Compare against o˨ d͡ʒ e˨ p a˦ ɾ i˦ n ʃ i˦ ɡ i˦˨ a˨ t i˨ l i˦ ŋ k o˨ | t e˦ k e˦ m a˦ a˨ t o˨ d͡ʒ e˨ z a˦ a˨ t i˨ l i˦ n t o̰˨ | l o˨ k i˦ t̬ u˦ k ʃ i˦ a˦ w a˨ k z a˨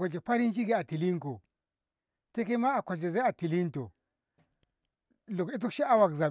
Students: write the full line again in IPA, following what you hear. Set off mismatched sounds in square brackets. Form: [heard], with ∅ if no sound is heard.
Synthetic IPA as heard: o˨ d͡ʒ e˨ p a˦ ɾ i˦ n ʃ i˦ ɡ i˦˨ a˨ t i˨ l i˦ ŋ k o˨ | t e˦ k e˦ m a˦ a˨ [k] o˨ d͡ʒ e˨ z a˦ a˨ t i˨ l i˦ n t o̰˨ | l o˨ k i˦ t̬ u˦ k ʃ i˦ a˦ w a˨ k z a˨